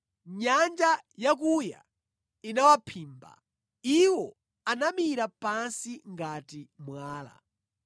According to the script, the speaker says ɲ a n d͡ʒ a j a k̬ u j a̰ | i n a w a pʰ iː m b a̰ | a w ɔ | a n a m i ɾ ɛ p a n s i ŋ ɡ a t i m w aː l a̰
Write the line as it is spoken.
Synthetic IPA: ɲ a n d͡ʒ a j a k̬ u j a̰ | i n a w a pʰ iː m b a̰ | i w ɔ | a n a m i ɾ a p a n s i ŋ ɡ a t i m w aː l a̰

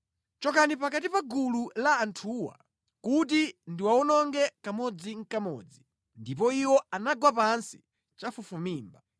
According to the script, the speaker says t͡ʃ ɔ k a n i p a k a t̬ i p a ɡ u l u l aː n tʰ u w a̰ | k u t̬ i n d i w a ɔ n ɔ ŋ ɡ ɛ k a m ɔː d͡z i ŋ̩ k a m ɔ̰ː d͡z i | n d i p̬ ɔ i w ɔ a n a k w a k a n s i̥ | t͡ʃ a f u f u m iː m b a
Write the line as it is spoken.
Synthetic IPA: t͡ʃ ɔ k a n i p a k a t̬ i p a ɡ u l u l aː n tʰ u w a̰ | k u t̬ i n d i w a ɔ n ɔ ŋ ɡ ɛ k a m ɔ d͡z i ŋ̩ k a m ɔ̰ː d͡z i | n d i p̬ ɔ i w ɔ a n a ɡ w a p a n s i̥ | t͡ʃ a f u f u m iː m b a

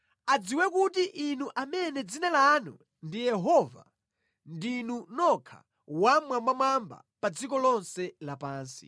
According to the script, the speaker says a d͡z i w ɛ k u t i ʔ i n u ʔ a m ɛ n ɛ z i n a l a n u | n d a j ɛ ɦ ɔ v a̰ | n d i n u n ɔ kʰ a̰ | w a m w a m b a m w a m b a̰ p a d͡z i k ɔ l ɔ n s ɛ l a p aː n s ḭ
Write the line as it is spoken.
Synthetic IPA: a d͡z i w ɛ k u t i ʔ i n u ʔ a m ɛ n ɛ d͡z i n a l a n u | n d i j ɛ ɦ ɔ v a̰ | n d i n u n ɔ kʰ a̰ | w a m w a m b a m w a m b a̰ p a d͡z i k ɔ l ɔ n s ɛ l a p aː n s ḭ

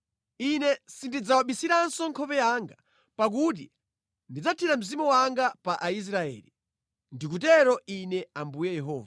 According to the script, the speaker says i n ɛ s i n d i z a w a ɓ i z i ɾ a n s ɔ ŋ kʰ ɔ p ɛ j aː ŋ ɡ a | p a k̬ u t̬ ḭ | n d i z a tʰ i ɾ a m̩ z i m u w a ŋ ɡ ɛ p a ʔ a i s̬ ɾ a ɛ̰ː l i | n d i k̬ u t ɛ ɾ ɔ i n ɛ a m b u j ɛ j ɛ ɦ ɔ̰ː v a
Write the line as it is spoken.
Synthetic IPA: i n ɛ s i n d i d͡z a w a ɓ i s i ɾ a n s ɔ ŋ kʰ ɔ p ɛ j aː ŋ ɡ a | p a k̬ u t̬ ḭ | n d i d͡z a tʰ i ɾ a m̩ z i m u w a ŋ ɡ a p a ʔ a i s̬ ɾ a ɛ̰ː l i | n d i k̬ u t ɛ ɾ ɔ i n ɛ a m b u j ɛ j ɛ ɦ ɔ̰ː v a

